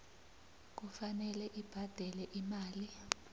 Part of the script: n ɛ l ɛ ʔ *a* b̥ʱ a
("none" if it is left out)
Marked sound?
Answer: i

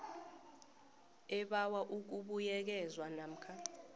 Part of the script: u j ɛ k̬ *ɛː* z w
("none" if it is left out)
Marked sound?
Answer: ɛ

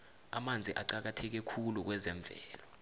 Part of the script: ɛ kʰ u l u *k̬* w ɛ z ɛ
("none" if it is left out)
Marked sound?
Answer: k̬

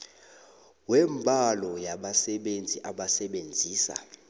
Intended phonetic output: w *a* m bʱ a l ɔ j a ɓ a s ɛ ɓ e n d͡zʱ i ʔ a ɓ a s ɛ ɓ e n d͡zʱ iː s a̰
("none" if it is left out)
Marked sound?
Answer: ɛ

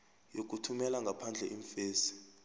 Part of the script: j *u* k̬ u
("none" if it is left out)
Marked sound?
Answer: o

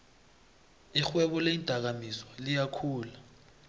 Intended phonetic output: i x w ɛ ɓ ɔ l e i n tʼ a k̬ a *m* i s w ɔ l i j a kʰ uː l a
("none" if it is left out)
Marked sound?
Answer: m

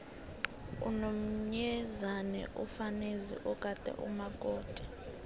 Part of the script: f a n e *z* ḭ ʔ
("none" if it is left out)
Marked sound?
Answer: z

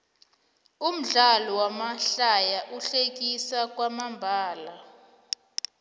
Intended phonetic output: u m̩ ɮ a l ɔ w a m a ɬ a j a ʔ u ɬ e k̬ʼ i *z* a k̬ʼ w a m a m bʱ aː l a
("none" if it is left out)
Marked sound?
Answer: s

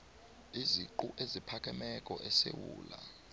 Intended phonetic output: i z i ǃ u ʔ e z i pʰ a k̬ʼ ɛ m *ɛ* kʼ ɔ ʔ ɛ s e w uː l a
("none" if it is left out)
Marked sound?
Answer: ɛ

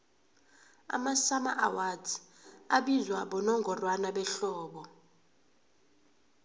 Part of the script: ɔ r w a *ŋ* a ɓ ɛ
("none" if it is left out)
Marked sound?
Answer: n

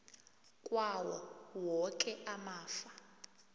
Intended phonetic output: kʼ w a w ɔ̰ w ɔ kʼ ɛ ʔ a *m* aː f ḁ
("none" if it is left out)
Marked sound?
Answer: m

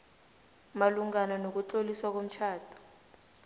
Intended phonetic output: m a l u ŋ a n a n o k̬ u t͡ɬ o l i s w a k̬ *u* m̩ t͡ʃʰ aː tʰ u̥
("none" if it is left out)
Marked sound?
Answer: o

